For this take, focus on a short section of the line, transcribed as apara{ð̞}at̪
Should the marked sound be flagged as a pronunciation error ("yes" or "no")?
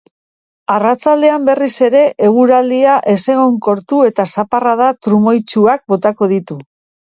no